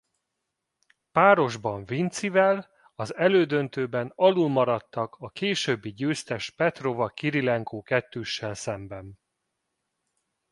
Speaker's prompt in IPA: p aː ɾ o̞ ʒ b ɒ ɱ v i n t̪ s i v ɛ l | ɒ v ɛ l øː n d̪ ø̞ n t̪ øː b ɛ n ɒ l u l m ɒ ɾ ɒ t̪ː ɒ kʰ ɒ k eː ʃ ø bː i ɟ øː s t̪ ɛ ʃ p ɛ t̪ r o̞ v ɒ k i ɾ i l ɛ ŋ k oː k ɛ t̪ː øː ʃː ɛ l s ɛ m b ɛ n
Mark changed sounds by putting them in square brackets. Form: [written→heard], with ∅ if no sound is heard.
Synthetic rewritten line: p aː ɾ o̞ ʒ b ɒ ɱ v i n t̪ s i v ɛ l | ɒ [v→z] ɛ l øː [n→∅] d̪ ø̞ n t̪ øː b ɛ n ɒ l u l m ɒ ɾ ɒ t̪ː ɒ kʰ ɒ k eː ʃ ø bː i ɟ øː s t̪ ɛ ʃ p ɛ t̪ r o̞ v ɒ k i ɾ i l ɛ ŋ k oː k ɛ t̪ː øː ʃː ɛ l s ɛ m b ɛ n

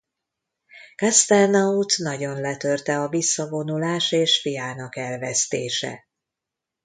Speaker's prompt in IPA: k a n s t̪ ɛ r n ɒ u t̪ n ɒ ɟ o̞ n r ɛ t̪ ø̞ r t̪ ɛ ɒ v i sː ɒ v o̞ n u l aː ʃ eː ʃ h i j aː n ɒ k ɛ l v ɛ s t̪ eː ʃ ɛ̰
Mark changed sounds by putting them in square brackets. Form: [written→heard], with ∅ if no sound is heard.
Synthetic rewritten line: k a [n→∅] s t̪ ɛ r n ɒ u t̪ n ɒ ɟ o̞ n [r→l] ɛ t̪ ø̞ r t̪ ɛ ɒ v i sː ɒ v o̞ n u l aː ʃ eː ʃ [h→f] i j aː n ɒ k ɛ l v ɛ s t̪ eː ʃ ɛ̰

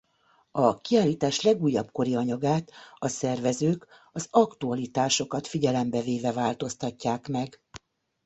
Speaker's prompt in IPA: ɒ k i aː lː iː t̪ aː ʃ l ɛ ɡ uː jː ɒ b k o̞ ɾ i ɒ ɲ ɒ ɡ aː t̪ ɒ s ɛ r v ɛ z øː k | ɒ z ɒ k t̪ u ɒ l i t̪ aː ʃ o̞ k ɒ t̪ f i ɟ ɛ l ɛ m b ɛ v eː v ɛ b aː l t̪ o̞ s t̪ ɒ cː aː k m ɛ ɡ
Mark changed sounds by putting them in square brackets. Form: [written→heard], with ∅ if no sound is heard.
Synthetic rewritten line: ɒ k i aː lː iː t̪ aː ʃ l ɛ ɡ uː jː ɒ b k o̞ ɾ i ɒ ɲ ɒ ɡ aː t̪ ɒ s ɛ r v ɛ z øː k | ɒ z ɒ k t̪ u ɒ l i t̪ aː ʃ o̞ k ɒ t̪ f i ɟ ɛ l ɛ m b ɛ v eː v ɛ [b→v] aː l t̪ o̞ s t̪ ɒ cː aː k m ɛ ɡ

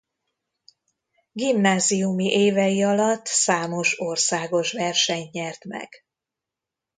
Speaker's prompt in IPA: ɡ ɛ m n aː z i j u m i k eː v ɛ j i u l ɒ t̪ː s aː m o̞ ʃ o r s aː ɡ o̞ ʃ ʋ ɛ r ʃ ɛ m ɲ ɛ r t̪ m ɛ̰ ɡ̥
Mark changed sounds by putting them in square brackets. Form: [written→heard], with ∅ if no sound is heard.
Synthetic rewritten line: ɡ [ɛ→i] m n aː z i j u m i [k→ʔ] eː v ɛ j i [u→ɒ] l ɒ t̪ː s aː m o̞ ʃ o r s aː ɡ o̞ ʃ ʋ ɛ r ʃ ɛ [m→ɲ] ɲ ɛ r t̪ m ɛ̰ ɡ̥

